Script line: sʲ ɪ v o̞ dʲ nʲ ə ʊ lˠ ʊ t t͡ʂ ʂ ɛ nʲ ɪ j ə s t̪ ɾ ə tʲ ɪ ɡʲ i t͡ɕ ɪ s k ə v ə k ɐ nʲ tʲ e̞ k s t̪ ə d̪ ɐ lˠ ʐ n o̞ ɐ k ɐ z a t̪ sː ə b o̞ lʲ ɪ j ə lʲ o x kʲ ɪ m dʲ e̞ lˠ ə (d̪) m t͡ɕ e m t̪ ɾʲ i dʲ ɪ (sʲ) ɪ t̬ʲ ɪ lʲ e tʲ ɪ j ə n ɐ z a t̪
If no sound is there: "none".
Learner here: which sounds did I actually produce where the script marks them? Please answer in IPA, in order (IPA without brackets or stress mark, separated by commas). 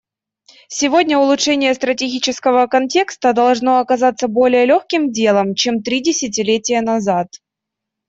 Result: none, sʲ